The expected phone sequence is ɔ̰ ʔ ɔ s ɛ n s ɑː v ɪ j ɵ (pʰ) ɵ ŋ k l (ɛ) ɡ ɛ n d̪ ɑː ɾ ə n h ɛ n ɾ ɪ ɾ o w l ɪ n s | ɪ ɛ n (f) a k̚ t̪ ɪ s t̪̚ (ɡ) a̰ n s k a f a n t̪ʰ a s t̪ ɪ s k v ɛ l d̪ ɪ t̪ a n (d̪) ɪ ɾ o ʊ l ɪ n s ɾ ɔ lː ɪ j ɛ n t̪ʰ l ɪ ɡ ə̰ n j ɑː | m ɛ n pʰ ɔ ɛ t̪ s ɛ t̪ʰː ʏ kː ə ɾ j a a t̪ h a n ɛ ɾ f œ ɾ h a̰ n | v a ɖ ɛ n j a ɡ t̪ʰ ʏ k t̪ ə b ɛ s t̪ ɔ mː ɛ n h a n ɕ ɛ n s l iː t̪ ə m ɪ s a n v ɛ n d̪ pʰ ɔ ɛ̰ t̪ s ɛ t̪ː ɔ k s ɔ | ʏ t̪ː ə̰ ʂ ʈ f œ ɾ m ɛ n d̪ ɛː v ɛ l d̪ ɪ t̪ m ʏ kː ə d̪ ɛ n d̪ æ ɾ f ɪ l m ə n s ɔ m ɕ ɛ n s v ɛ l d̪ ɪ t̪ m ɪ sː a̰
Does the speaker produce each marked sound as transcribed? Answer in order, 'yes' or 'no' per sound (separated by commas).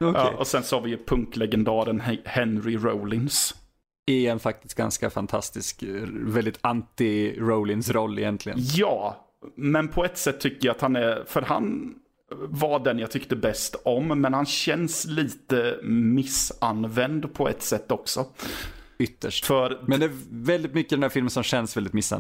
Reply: yes, yes, yes, yes, no